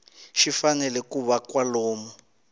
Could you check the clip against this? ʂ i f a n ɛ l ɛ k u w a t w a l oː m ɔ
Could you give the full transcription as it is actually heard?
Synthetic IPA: ʃ i f a n ɛ l ɛ k u β a k w a l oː m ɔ